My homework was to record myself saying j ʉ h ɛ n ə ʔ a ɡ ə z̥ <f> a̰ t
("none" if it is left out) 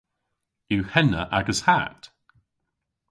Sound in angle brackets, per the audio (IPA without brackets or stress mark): h